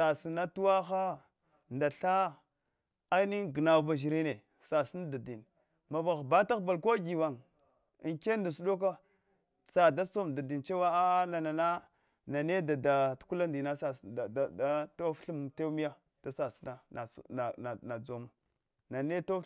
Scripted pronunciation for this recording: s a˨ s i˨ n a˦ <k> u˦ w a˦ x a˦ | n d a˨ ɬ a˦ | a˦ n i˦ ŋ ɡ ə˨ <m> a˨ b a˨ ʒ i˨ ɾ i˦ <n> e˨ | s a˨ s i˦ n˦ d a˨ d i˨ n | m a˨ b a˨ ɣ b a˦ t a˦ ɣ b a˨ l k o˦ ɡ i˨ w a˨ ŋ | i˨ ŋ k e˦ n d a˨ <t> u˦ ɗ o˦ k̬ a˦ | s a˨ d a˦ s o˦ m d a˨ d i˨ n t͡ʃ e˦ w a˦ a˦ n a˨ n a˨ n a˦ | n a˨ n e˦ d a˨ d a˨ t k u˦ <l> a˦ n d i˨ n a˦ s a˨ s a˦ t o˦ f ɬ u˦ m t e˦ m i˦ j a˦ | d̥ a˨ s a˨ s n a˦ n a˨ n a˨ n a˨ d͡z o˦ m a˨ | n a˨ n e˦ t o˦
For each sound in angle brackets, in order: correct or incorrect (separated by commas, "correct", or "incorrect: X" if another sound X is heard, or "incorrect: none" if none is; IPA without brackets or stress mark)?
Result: incorrect: t, incorrect: n, correct, incorrect: s, correct